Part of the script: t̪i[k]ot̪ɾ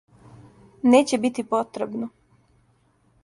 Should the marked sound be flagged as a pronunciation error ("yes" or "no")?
yes